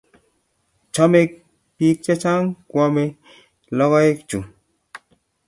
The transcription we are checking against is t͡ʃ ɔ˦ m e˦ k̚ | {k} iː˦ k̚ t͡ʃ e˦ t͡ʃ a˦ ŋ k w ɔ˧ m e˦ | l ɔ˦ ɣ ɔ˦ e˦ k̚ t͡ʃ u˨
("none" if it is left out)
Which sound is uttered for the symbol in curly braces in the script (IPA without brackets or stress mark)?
p